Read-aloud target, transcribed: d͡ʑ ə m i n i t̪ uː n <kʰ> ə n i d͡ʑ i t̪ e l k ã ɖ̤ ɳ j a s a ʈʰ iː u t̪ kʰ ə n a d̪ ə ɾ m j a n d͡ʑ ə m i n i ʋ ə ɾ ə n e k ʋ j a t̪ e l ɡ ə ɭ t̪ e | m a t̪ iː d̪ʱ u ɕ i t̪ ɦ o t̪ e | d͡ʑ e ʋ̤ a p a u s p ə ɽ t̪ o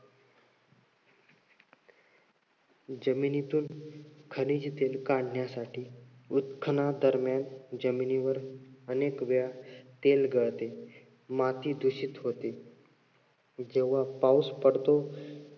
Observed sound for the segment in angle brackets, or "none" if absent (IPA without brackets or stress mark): kʰ